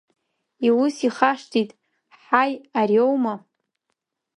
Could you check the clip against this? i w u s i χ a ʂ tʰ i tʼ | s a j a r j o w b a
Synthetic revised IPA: i w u s i χ a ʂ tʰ i tʼ | ħ a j a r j o w m a